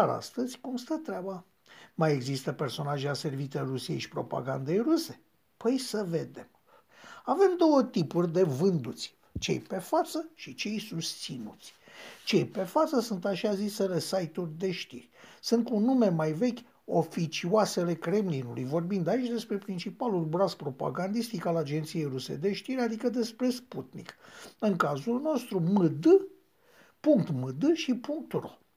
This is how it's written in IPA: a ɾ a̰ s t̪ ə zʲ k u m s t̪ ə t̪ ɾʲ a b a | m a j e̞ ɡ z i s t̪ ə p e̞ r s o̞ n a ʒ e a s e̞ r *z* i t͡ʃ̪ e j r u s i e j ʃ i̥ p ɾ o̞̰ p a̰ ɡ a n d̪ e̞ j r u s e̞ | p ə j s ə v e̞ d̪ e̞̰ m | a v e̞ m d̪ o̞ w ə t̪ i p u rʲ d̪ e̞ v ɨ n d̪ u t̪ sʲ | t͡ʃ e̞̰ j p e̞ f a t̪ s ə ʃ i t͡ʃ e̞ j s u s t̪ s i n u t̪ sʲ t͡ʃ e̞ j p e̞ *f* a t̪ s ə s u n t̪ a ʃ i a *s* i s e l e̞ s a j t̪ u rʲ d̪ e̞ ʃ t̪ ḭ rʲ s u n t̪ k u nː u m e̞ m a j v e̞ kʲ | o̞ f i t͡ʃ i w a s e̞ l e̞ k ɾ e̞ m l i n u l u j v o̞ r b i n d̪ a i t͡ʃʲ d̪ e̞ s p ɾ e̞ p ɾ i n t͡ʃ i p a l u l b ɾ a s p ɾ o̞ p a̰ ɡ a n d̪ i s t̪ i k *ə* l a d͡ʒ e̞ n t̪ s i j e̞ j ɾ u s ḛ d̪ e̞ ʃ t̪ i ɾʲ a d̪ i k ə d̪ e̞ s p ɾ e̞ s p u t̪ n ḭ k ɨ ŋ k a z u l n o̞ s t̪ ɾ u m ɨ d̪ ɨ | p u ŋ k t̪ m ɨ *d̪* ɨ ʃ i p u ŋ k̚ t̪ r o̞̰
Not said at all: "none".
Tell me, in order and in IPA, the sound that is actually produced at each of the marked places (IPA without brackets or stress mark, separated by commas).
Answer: v, f, z, a, d̪